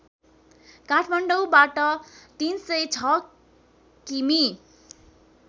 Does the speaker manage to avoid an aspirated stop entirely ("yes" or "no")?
no